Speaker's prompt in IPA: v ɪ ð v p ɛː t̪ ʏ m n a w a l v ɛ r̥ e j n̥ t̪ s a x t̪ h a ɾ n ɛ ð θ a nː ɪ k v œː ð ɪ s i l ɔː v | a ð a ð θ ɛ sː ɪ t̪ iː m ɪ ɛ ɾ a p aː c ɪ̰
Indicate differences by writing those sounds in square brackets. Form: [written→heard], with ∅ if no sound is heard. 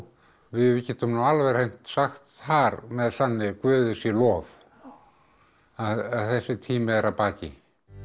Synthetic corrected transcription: v ɪ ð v [p→c] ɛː t̪ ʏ m n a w a l v ɛ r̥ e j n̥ t̪ s a x t̪ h a ɾ [n→m] ɛ ð θ a nː ɪ k v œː ð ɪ s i l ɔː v | a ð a ð θ ɛ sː ɪ [t̪→t̪ʰ] iː m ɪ ɛ ɾ a p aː c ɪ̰